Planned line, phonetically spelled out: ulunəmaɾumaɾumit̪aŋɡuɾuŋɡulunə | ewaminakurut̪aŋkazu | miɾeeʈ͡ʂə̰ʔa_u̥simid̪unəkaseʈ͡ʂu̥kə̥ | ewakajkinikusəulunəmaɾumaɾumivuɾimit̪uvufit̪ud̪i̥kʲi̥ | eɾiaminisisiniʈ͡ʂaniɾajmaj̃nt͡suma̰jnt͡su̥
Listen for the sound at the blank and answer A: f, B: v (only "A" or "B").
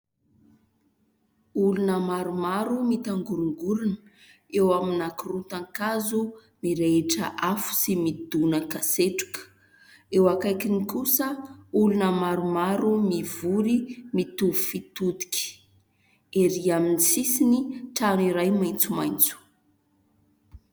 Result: A